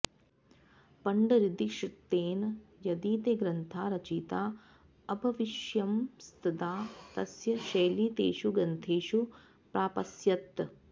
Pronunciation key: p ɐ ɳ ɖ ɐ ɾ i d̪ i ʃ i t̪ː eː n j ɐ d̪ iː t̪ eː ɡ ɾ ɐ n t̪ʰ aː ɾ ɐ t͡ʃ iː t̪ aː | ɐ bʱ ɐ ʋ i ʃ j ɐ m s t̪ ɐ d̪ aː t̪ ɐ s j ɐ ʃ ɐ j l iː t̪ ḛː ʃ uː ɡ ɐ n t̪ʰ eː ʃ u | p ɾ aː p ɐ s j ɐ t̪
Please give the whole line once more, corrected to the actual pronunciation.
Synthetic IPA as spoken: p ɐ ɳ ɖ ɐ ɾ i d̪ i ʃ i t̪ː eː n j ɐ d̪ iː t̪ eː ɡ ɾ ɐ n t̪ʰ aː ɾ ɐ t͡ʃ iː t̪ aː | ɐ bʱ ɐ ʋ i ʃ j ɐ m s t̪ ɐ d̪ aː t̪ ɐ s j ɐ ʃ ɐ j l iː t̪ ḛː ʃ u ɡ ɐ n t̪ʰ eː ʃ u | p ɾ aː p ɐ s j ɐ t̪